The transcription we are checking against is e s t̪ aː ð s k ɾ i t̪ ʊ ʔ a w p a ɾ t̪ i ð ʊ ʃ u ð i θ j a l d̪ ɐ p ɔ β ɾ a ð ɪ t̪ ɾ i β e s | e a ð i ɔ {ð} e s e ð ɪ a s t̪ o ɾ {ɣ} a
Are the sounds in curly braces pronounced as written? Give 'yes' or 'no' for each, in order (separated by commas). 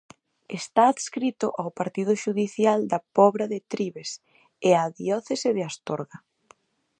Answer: no, yes